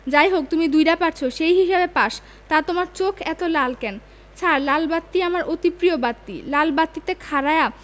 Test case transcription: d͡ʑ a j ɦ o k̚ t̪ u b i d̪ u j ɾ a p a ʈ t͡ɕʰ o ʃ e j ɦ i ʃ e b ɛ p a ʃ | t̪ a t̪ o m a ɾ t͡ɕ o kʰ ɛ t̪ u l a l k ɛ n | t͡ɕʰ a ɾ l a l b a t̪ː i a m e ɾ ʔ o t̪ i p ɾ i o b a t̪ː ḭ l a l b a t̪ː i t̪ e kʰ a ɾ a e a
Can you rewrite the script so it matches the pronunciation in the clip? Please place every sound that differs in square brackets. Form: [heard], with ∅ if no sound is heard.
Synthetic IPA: d͡ʑ a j ɦ o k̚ t̪ u [m] i d̪ u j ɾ a p a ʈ t͡ɕʰ o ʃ e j ɦ i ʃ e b [e] p a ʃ | t̪ a t̪ o m a ɾ t͡ɕ o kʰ ɛ t̪ [o] l a l k ɛ n | t͡ɕʰ a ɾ l a l b a t̪ː i a m [a] ɾ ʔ o t̪ i p ɾ i o b a t̪ː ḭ l a l b a t̪ː i t̪ e kʰ a ɾ a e a